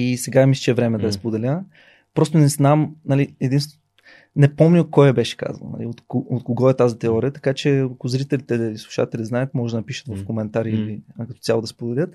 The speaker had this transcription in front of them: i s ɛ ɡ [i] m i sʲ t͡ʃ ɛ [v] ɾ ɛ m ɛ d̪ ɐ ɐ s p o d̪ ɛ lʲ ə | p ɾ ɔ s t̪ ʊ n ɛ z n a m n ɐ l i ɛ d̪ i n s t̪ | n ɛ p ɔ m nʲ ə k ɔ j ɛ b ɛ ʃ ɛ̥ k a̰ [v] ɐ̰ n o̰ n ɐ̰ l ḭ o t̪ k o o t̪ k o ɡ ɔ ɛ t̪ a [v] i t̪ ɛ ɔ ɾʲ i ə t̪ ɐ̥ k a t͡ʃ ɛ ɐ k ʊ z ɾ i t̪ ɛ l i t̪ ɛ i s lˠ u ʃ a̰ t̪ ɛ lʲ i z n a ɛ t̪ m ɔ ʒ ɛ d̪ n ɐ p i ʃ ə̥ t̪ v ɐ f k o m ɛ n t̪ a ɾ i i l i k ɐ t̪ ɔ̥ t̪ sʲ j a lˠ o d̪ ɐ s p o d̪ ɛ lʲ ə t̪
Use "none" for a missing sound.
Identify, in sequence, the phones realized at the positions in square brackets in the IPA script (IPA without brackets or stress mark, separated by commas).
a, v, z, z